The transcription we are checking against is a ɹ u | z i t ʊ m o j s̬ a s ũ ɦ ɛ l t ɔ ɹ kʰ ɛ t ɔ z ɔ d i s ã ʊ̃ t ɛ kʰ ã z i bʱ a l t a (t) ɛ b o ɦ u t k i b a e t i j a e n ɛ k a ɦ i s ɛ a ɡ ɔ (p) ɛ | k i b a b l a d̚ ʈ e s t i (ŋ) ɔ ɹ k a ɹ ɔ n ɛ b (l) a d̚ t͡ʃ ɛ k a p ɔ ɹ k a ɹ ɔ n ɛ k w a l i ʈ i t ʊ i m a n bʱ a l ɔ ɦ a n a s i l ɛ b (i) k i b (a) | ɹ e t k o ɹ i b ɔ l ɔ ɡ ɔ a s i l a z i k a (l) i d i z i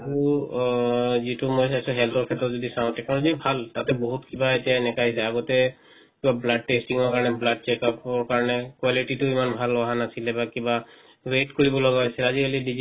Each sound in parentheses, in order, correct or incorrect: correct, incorrect, correct, correct, incorrect, correct, correct

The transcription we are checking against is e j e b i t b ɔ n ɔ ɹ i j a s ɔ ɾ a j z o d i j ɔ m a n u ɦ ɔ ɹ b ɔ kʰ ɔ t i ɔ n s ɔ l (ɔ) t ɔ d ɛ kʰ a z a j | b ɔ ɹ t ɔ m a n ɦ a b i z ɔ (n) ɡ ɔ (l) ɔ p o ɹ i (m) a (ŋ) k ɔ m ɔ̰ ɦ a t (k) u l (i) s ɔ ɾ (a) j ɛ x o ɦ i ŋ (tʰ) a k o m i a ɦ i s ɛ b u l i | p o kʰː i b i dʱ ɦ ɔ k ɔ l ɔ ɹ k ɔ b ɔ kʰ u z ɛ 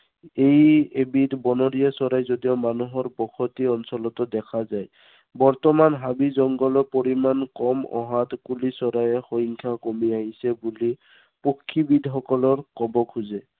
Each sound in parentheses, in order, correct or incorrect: correct, incorrect, correct, correct, incorrect, correct, correct, correct, incorrect

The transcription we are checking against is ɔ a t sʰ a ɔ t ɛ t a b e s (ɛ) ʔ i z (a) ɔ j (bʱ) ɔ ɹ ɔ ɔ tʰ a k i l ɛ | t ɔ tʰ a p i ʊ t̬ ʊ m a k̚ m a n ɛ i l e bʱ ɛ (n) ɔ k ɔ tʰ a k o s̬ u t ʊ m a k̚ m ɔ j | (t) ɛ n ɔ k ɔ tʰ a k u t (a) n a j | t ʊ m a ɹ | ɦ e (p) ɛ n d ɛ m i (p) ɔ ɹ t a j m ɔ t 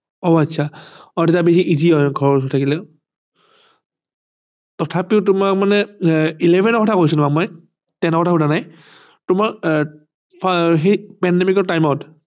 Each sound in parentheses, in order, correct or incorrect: incorrect, incorrect, incorrect, correct, correct, correct, correct, incorrect

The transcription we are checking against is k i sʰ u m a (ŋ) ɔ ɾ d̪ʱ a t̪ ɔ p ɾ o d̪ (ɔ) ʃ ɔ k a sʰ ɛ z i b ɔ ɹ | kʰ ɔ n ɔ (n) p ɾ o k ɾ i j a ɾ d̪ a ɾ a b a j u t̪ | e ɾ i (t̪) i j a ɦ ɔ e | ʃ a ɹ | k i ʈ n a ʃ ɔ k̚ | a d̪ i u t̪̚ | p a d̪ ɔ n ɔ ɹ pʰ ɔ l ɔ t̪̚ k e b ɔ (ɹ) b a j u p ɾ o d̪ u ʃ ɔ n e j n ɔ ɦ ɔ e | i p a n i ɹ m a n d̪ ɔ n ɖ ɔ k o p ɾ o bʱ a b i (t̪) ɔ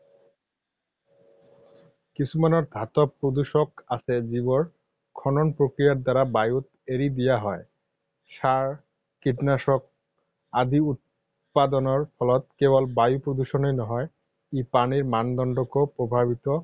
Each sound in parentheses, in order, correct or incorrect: incorrect, incorrect, correct, incorrect, incorrect, correct

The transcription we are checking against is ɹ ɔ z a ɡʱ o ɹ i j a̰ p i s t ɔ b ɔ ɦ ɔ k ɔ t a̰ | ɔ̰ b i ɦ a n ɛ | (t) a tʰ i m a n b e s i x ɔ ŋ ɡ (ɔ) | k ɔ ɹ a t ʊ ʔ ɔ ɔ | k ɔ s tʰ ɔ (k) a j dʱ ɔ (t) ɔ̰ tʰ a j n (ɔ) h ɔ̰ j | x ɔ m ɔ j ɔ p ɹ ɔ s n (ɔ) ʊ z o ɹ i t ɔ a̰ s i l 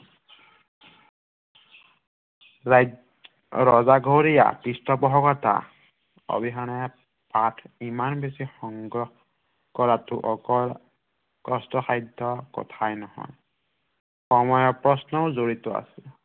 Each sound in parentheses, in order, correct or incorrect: incorrect, correct, incorrect, incorrect, correct, correct

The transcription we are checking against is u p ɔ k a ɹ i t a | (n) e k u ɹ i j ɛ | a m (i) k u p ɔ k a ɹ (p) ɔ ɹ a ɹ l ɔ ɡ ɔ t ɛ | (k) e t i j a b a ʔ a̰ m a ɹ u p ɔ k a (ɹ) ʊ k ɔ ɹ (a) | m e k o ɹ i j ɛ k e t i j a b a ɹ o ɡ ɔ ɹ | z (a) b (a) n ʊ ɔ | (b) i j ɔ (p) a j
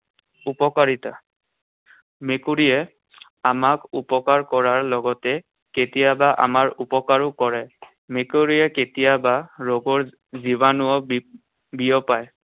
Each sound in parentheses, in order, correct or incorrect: incorrect, incorrect, incorrect, correct, correct, incorrect, incorrect, correct, correct, correct

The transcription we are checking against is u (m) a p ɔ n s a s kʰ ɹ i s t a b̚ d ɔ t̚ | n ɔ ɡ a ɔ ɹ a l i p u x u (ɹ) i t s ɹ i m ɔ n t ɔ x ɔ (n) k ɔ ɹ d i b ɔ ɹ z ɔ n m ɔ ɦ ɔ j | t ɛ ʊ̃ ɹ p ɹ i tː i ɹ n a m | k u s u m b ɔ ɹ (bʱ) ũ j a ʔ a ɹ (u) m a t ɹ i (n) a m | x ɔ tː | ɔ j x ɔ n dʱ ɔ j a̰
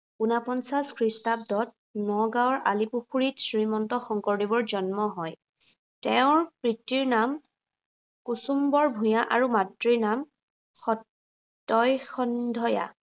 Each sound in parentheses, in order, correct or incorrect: incorrect, correct, incorrect, correct, correct, correct

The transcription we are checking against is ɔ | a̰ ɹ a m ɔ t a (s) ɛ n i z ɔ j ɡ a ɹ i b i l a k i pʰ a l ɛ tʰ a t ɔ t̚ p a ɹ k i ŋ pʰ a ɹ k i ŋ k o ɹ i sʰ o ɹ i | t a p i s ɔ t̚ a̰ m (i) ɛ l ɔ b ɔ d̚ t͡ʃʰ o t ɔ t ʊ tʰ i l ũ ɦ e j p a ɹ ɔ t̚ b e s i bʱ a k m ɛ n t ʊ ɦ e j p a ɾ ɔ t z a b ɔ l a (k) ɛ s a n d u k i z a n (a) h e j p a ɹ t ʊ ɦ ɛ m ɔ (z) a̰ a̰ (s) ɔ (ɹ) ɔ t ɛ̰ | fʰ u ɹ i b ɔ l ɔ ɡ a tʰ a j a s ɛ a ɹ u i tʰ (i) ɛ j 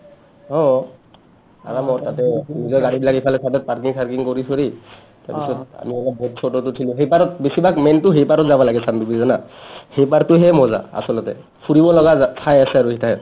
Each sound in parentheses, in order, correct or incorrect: incorrect, correct, incorrect, correct, correct, correct, incorrect, incorrect

